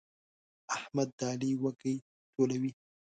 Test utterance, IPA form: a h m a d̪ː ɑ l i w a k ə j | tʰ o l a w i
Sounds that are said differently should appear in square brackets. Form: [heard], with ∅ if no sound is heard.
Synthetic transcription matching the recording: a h m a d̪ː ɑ l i w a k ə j | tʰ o l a w i